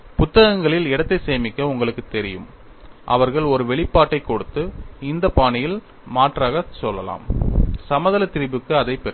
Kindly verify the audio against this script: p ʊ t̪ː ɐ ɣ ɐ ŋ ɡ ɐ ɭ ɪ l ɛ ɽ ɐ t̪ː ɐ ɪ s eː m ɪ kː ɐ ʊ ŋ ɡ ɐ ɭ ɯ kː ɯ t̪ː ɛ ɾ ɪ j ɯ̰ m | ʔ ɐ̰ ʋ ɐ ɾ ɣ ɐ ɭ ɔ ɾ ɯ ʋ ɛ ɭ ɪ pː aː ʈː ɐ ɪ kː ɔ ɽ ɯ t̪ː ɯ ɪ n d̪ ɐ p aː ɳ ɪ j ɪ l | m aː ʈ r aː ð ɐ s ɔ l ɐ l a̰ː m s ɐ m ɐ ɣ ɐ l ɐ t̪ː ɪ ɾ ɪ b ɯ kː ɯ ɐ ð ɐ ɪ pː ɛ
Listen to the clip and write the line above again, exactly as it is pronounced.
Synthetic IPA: p ʊ t̪ː ɐ ɣ ɐ ŋ ɡ ɐ ɭ ɪ l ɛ ɽ ɐ t̪ː ɐ ɪ s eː m ɪ kː ɐ ʊ ŋ ɡ ɐ ɭ ɯ kː ɯ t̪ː ɛ ɾ ɪ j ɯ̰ m | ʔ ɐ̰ ʋ ɐ ɾ ɣ ɐ ɭ ɔ ɾ ɯ ʋ ɛ ɭ ɪ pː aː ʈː ɐ ɪ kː ɔ ɽ ɯ t̪ː ɯ ɪ n d̪ ɐ p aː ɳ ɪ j ɪ l | m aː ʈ r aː ɣ ɐ s ɔ lː ɐ l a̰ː m s ɐ m ɐ ð ɐ l ɐ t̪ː ɪ ɾ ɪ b ɯ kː ɯ ɐ ð ɐ ɪ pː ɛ

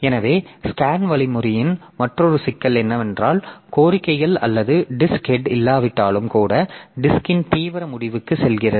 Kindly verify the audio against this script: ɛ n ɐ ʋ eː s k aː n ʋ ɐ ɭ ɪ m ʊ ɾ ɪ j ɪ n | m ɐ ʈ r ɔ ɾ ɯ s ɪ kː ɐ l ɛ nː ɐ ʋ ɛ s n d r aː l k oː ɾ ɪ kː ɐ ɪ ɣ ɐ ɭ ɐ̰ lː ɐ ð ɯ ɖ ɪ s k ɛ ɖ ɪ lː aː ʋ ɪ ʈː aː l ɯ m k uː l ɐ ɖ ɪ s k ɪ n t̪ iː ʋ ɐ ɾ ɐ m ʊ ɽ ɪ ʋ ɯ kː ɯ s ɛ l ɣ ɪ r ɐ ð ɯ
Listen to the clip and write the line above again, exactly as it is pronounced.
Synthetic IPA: ɛ n ɐ ʋ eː s k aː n ʋ ɐ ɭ ɪ m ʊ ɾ ɪ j ɪ n | m ɐ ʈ r ɔ ɾ ɯ s ɪ kː ɐ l ɛ nː ɐ ʋ ɛ n d r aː l k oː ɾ ɪ kː ɐ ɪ ɣ ɐ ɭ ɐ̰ lː ɐ ð ɯ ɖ ɪ s k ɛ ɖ ɪ lː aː ʋ ɪ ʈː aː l ɯ m k uː ɽ ɐ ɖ ɪ s k ɪ n t̪ iː ʋ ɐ ɾ ɐ m ʊ ɽ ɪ ʋ ɯ kː ɯ s ɛ l ɣ ɪ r ɐ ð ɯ

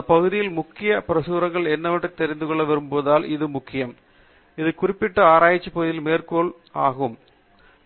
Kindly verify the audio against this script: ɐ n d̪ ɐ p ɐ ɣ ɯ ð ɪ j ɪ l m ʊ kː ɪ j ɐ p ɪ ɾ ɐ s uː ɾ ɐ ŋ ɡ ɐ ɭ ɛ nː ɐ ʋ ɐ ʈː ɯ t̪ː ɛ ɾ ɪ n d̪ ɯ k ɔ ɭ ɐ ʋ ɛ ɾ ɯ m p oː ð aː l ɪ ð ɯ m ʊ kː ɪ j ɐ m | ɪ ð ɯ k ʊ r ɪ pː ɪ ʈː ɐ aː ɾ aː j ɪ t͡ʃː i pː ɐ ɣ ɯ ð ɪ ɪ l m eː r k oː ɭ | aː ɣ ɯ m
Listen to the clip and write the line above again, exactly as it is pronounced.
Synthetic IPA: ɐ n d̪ ɐ p ɐ ɣ ɯ ð ɪ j ɪ l m ʊ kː ɪ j ɐ p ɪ ɾ ɐ s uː ɾ ɐ ŋ ɡ ɐ ɭ ɛ nː ɐ ʋ ɐ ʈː ɯ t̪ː ɛ ɾ ɪ n d̪ ɯ k ɔ ɭː ɐ ʋ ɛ ɾ ɯ m p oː ð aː l ɪ ð ɯ m ʊ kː ɪ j ɐ m | ɪ ð ɯ k ʊ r ɪ pː ɪ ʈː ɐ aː ɾ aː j ɪ t͡ʃː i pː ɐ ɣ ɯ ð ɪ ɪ l m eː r k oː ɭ | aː ɣ ɯ m

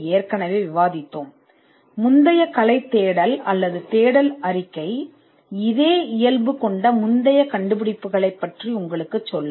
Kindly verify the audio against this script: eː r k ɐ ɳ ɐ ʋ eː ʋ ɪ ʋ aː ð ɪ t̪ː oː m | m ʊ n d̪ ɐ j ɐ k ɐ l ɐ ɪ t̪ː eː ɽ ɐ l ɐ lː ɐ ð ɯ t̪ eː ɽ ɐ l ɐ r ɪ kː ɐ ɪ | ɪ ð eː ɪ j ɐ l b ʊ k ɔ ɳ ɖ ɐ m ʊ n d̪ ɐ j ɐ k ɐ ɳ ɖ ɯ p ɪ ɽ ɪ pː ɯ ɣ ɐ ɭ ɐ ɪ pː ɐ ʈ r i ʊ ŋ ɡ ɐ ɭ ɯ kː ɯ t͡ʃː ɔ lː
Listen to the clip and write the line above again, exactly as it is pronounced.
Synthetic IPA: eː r k ɐ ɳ ɐ ʋ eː ʋ ɪ ʋ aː ð ɪ t̪ː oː m | m ʊ n d̪ ɐ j ɐ k ɐ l ɐ ɪ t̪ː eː ɽ ɐ l ɐ lː ɐ ð ɯ t̪ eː ɽ ɐ l ɐ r ɪ kː ɐ ɪ | ɪ ð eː ɪ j ɐ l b ɯ k ɔ ɳ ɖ ɐ m ʊ n d̪ ɐ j ɐ k ɐ ɳ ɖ ɯ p ɪ ɽ ɪ pː ɯ ɣ ɐ ɭ ɐ ɪ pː ɐ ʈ r i ʊ ŋ ɡ ɐ ɭ ɯ kː ɯ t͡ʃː ɔ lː

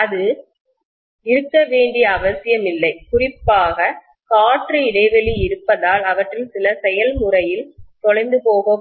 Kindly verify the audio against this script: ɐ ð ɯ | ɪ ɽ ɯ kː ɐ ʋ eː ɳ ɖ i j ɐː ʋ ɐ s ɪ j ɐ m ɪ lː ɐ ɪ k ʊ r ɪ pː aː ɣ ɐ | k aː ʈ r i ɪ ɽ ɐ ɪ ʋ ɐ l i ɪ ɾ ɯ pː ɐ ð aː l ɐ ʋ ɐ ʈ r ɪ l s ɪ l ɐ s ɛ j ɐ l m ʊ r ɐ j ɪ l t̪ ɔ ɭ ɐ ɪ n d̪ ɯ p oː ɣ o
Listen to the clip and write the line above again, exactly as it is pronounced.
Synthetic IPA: ɐ ð ɯ | ɪ ɾ ɯ kː ɐ ʋ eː ɳ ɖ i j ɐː ʋ ɐ s ɪ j ɐ m ɪ lː ɐ ɪ k ʊ r ɪ pː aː ɣ ɐ | k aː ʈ r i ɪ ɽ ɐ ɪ ʋ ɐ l i ɪ ɾ ɯ pː ɐ ð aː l ɐ ʋ ɐ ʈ r ɪ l s ɪ l ɐ s ɛ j ɐ l m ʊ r ɐ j ɪ l t̪ ɔ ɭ ɐ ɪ n d̪ ɯ p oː ɣ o

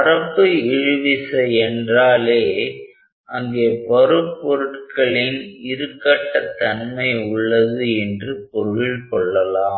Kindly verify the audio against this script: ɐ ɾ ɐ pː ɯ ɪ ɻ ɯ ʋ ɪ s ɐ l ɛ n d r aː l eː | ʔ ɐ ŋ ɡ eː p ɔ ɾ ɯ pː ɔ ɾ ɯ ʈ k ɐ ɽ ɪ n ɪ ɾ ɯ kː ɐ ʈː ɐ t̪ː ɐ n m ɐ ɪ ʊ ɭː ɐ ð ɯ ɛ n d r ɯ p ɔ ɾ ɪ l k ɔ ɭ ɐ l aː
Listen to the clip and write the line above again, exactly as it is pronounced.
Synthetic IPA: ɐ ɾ ɐ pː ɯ ɪ ɻ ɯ ʋ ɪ s ɐ ɛ n d r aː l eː | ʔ ɐ ŋ ɡ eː p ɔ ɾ ɯ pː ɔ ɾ ɯ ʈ k ɐ ɭ ɪ n ɪ ɾ ɯ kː ɐ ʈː ɐ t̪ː ɐ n m ɐ ɪ ʊ ɭː ɐ ð ɯ ɛ n d r ɯ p ɔ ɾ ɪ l k ɔ ɭː ɐ l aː

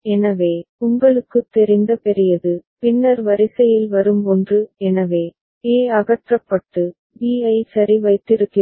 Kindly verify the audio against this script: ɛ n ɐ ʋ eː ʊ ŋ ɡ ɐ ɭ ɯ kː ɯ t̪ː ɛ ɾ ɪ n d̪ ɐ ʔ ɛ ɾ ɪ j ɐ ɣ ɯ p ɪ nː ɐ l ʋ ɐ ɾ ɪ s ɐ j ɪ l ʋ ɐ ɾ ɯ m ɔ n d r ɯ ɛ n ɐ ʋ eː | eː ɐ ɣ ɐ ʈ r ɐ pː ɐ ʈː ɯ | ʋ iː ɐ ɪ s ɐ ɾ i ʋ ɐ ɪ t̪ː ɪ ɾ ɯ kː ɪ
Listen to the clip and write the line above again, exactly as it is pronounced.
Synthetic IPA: ɛ n ɐ ʋ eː ʊ ŋ ɡ ɐ ɭ ɯ kː ɯ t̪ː ɛ ɾ ɪ n d̪ ɐ p ɛ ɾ ɪ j ɐ ð ɯ p ɪ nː ɐ ɾ ʋ ɐ ɾ ɪ s ɐ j ɪ l ʋ ɐ ɾ ɯ m ɔ n d r ɯ ɛ n ɐ ʋ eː | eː ɐ ɣ ɐ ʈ r ɐ pː ɐ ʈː ɯ | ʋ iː ɐ ɪ s ɐ ɾ i ʋ ɐ ɪ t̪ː ɪ ɾ ɯ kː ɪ

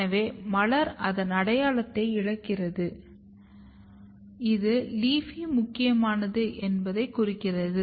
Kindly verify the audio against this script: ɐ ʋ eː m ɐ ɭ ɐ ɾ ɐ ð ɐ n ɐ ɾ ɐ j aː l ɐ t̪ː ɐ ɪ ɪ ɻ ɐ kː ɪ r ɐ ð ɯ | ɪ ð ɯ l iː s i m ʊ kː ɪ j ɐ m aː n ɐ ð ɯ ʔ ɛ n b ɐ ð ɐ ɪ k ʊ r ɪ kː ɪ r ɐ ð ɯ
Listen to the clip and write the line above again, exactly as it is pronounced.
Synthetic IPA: ɐ ʋ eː m ɐ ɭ ɐ ɾ ɐ ð ɐ n ɐ ɽ ɐ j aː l ɐ t̪ː ɐ ɪ ɪ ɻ ɐ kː ɪ r ɐ ð ɯ | ɪ ð ɯ l iː f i m ʊ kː ɪ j ɐ m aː n ɐ ð ɯ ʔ ɛ n b ɐ ð ɐ ɪ k ʊ r ɪ kː ɪ r ɐ ð ɯ

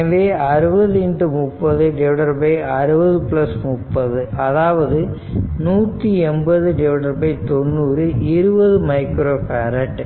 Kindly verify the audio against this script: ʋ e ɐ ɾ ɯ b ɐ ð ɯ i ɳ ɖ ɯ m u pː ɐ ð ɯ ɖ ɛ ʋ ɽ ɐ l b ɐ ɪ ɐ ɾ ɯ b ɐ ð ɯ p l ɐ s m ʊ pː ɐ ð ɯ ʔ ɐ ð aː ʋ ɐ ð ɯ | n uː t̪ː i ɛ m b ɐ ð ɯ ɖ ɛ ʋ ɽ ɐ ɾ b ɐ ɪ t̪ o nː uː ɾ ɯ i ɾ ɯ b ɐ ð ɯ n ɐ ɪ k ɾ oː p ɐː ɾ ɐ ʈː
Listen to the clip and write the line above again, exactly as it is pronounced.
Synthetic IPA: ʋ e ɐ ɾ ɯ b ɐ ð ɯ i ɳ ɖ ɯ m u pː ɐ ð ɯ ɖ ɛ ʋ ɽ ɐ ɾ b ɐ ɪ ɐ ɾ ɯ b ɐ ð ɯ p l ɐ s m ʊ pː ɐ ð ɯ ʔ ɐ ð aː ʋ ɐ ð ɯ | n uː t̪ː i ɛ m b ɐ ð ɯ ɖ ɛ ʋ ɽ ɐ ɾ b ɐ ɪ t̪ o nː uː ɾ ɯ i ɾ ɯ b ɐ ð ɯ m ɐ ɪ k ɾ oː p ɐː ɾ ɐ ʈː

